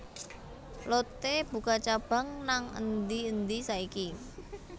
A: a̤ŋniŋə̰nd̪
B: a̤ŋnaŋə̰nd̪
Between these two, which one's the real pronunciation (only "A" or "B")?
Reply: B